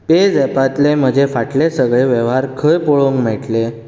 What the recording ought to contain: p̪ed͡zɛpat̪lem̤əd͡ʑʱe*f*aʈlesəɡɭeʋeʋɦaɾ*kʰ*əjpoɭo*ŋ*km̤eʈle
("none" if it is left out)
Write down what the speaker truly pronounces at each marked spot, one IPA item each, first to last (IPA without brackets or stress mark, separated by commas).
f, kʰ, ŋ